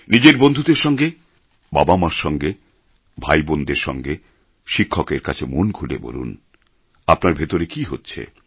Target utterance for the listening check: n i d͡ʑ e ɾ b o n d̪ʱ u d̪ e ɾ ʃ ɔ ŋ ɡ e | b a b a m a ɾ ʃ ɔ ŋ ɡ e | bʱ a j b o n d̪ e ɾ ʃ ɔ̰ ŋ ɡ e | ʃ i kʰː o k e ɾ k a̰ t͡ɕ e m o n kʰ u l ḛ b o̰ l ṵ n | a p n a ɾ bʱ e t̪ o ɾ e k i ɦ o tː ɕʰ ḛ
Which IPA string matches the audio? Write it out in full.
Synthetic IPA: n i d͡ʑ e ɾ b o n d̪ʱ u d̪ e ɾ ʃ ɔ ŋ ɡ e | b a b a m a ɾ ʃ ɔ ŋ ɡ e | bʱ a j b o n d̪ e ɾ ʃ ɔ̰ ŋ ɡ e | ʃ i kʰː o k e ɾ k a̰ t͡ɕʰ e m o n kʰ u l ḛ b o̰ l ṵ n | a p n a ɾ bʱ e t̪ o ɾ e k i ɦ o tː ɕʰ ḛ

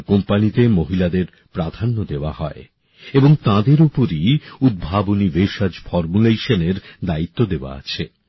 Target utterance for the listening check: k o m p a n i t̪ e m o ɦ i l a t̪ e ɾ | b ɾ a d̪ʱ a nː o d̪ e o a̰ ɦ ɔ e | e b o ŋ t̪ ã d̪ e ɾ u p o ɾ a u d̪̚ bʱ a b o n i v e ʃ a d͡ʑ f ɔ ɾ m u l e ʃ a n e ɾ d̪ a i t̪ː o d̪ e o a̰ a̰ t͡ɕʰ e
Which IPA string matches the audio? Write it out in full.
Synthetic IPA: k o m p a n i t̪ e m o ɦ i l a d̪ e ɾ | p ɾ a d̪ʱ a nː o d̪ e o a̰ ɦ ɔ e | e b o ŋ t̪ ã d̪ e ɾ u p o ɾ i u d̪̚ bʱ a b o n i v e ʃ a d͡ʑ f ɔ ɾ m u l e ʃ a n e ɾ d̪ a i t̪ː o d̪ e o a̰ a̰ t͡ɕʰ e

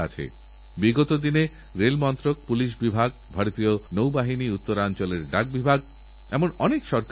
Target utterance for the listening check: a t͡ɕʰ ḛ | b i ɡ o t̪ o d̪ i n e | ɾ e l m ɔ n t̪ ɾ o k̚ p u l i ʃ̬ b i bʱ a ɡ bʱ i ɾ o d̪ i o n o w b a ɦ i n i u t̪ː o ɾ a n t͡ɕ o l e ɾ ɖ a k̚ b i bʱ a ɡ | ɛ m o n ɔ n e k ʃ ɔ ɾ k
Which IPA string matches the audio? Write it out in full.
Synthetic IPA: a t͡ɕʰ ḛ | b i ɡ o t̪ o d̪ i n e | ɾ e l m ɔ n t̪ ɾ o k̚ p u l i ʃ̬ b i bʱ a ɡ bʱ a ɾ o t̪ i o n o w b a ɦ i n i u t̪ː o ɾ a n t͡ɕ o l e ɾ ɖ a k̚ b i bʱ a ɡ | ɛ m o n ɔ n e k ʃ ɔ ɾ k

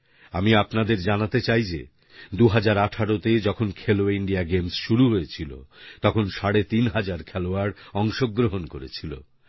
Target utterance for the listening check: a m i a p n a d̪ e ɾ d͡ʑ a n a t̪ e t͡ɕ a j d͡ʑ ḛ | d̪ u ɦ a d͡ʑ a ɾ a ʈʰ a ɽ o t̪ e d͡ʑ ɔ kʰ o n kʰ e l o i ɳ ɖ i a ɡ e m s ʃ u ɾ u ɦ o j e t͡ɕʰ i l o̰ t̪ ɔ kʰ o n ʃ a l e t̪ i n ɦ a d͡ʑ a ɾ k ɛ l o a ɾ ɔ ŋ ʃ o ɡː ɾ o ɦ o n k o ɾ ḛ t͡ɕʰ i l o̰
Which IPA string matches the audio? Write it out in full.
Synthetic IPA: a m i a p n a d̪ e ɾ d͡ʑ a n a t̪ e t͡ɕ a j d͡ʑ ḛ | d̪ u ɦ a d͡ʑ a ɾ a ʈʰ a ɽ o t̪ e d͡ʑ ɔ kʰ o n kʰ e l o i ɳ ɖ i a ɡ e m s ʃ u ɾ u ɦ o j e t͡ɕʰ i l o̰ t̪ ɔ kʰ o n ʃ a ɽ e t̪ i n ɦ a d͡ʑ a ɾ kʰ ɛ l o a ɾ ɔ ŋ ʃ o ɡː ɾ o ɦ o n k o ɾ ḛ t͡ɕʰ i l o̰

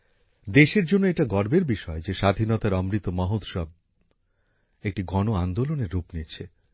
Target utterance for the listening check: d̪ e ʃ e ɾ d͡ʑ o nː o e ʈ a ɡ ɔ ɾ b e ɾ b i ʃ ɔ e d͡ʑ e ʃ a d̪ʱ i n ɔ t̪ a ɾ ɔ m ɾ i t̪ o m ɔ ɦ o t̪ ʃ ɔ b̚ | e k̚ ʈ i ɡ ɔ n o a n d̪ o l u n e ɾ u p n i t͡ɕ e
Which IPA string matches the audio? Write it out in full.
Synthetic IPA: d̪ e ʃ e ɾ d͡ʑ o nː o e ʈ a ɡ ɔ ɾ b e ɾ b i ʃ ɔ e d͡ʑ e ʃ a d̪ʱ i n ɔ t̪ a ɾ ɔ m ɾ i t̪ o m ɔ ɦ o t̪ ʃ ɔ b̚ | e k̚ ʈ i ɡ ɔ n o a n d̪ o l o n e ɾː u p n i t͡ɕʰ e

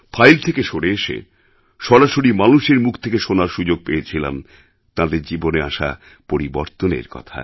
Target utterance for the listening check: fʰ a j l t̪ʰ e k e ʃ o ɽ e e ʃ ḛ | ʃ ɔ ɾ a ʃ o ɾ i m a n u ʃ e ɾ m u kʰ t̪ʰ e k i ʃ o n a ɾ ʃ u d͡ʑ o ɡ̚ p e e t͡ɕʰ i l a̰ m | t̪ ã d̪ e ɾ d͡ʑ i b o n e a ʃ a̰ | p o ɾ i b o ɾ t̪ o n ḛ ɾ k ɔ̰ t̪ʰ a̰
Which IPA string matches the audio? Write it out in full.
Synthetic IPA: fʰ a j l t̪ʰ e k e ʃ o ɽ e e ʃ ḛ | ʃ ɔ ɾ a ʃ o ɾ i m a n u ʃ e ɾ m u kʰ t̪ʰ e k e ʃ o n a ɾ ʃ u d͡ʑ o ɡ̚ p e e t͡ɕʰ i l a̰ m | t̪ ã d̪ e ɾ d͡ʑ i b o n e a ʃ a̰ | p o ɾ i b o ɾ t̪ o n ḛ ɾ k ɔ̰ t̪ʰ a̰

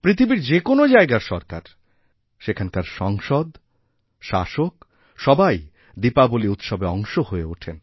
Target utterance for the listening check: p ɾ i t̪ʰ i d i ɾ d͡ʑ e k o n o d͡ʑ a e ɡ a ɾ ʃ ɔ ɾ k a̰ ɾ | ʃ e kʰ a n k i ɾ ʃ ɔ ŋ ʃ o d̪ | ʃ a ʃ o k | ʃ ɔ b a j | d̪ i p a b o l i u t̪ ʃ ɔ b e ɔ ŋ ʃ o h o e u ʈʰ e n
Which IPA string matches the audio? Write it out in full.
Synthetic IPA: p ɾ i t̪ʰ i b i ɾ d͡ʑ e k o n o d͡ʑ a e ɡ a ɾ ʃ ɔ ɾ k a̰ ɾ | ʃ e kʰ a n k a ɾ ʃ ɔ ŋ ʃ o d̪ | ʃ a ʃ o k | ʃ ɔ b a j | d̪ i p a b o l i u t̪ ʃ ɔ b e ɔ ŋ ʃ o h o e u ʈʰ e n

